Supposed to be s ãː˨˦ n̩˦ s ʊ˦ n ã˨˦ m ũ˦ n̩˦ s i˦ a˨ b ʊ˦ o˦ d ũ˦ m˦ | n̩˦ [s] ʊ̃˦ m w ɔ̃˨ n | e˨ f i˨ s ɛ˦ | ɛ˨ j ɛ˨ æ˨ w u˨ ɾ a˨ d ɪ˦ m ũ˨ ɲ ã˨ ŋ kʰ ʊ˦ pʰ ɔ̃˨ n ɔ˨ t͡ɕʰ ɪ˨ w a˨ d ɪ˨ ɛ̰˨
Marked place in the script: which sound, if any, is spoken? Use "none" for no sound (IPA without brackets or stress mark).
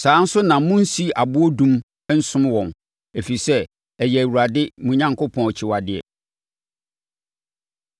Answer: s